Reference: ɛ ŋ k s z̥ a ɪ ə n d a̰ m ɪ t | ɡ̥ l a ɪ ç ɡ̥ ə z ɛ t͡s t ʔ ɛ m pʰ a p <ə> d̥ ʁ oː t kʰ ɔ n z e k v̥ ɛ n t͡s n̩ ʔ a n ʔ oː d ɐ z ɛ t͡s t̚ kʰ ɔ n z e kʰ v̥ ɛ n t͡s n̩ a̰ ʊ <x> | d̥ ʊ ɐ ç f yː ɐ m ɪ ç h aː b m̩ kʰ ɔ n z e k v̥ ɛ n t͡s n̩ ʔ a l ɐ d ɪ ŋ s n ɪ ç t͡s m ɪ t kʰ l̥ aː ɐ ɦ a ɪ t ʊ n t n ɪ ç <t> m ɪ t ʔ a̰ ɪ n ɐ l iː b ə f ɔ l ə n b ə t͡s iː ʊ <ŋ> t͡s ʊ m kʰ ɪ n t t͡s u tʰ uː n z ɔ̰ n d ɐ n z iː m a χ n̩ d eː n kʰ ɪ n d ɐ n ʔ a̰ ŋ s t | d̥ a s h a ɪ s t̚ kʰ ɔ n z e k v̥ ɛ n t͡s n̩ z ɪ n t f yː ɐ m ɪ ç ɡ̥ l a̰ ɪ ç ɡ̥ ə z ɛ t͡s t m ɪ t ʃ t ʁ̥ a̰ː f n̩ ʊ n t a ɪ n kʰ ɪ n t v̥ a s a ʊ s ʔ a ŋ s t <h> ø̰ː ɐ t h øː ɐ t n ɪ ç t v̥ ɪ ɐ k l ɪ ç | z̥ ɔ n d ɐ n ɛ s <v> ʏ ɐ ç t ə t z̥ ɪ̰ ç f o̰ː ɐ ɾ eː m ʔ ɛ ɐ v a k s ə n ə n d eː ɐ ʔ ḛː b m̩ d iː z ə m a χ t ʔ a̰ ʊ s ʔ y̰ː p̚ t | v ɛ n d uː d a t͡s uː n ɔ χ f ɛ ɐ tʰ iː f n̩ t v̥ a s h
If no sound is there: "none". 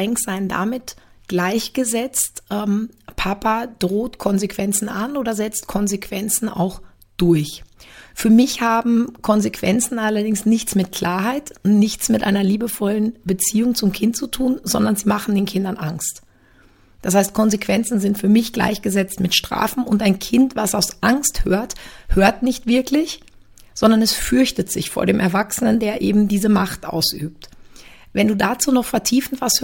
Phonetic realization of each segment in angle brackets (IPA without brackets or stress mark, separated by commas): a, x, t͡s, ŋ, h, f